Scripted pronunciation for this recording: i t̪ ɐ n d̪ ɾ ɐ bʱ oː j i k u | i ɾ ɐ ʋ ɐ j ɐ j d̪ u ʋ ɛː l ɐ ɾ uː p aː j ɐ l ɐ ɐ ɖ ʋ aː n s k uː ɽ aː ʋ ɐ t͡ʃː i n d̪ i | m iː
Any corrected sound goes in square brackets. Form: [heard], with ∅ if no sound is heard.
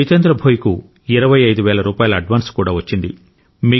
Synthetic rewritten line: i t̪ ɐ n d̪ ɾ ɐ bʱ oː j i k u | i ɾ ɐ ʋ ɐ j ɐ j d̪ u ʋ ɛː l ɐ ɾ uː p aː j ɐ l ɐ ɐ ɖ ʋ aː n s k uː ɽ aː ʋ ɐ t͡ʃː i n d̪ i | m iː